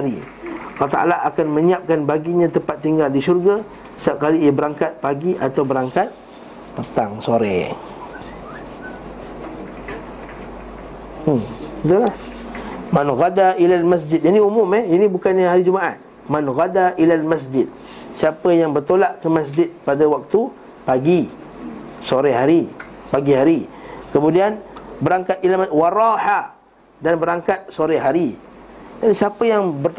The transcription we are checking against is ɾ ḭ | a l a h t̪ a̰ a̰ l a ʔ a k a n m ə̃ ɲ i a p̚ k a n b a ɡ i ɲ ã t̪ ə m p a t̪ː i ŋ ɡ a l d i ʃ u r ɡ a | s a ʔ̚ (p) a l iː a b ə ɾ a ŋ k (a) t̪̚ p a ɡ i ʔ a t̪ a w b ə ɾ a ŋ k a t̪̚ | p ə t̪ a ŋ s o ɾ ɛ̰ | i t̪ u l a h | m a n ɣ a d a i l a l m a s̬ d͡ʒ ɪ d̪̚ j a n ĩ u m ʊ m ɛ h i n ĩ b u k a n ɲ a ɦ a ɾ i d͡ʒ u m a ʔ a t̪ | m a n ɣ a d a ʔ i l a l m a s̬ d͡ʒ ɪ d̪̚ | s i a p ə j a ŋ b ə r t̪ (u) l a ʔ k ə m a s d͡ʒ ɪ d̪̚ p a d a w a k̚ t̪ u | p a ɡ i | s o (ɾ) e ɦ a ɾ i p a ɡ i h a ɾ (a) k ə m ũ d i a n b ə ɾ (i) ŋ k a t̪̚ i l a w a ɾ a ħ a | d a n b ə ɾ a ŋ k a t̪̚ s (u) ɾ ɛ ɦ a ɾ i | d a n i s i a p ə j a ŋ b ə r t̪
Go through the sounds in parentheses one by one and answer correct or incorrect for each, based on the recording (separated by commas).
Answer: incorrect, correct, incorrect, correct, incorrect, incorrect, incorrect